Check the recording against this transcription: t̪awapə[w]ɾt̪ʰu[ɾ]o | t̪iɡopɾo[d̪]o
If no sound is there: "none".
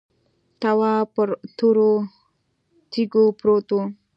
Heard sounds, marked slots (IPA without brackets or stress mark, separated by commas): none, ɾ, t̪